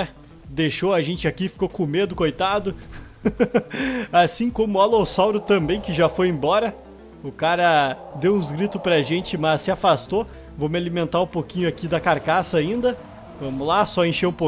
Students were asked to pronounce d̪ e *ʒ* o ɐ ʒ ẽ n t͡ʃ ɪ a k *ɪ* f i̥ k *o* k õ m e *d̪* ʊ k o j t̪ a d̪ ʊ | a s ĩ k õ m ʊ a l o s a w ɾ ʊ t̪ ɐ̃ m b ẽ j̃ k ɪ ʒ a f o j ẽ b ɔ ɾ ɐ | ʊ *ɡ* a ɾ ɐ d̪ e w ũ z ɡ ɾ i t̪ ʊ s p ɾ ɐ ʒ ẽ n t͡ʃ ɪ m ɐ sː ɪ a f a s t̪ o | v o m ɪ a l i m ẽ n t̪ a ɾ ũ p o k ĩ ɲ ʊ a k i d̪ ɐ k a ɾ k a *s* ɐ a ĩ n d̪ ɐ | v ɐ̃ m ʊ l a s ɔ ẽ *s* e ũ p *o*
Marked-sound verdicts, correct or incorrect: incorrect: ʃ, incorrect: i, correct, correct, incorrect: k, correct, incorrect: ʃ, correct

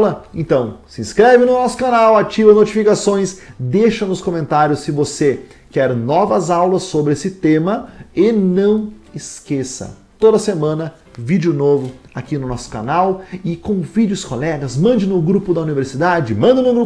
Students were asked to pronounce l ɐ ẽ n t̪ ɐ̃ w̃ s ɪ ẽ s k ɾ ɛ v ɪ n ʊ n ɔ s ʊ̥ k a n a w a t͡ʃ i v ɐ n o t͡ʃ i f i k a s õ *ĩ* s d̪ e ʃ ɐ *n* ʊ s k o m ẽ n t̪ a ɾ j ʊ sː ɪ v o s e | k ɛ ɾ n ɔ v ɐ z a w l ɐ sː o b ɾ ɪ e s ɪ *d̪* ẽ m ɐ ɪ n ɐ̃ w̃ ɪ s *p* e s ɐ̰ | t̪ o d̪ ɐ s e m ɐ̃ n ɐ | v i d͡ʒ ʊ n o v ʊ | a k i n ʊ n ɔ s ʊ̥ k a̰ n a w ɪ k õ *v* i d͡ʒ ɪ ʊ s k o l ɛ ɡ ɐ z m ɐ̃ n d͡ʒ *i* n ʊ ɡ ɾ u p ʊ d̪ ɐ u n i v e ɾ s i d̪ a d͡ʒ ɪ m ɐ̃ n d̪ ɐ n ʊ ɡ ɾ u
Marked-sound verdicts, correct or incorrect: incorrect: j̃, correct, incorrect: t̪, incorrect: k, correct, incorrect: ɪ

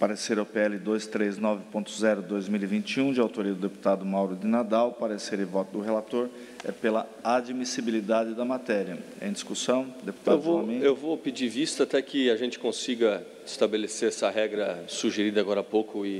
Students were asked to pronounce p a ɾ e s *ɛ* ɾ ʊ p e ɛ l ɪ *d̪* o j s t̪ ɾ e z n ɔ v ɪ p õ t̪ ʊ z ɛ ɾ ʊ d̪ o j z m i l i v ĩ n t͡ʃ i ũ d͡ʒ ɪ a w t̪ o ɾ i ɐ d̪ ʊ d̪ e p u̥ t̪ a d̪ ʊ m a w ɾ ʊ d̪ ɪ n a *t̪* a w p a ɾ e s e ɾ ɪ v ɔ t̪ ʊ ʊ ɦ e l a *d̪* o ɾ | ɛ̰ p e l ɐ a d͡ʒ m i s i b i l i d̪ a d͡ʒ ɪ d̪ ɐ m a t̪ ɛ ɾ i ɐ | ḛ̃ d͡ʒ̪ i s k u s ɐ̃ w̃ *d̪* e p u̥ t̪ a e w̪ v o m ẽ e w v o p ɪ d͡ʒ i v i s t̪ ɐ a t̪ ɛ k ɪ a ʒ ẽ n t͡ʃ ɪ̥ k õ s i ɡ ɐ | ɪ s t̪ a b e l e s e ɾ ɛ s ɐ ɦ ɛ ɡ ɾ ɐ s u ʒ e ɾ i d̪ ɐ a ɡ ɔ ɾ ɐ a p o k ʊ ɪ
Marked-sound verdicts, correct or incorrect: incorrect: e, correct, incorrect: d̪, incorrect: t̪, correct

